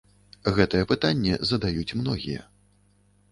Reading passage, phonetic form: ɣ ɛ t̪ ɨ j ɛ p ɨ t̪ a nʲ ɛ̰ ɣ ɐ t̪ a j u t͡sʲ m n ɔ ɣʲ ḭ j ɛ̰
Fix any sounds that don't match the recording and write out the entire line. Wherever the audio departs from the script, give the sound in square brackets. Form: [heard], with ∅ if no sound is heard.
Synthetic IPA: ɣ ɛ t̪ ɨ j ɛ p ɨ t̪ a [nʲː] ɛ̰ [z] ɐ [d̪] a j u t͡sʲ m n ɔ ɣʲ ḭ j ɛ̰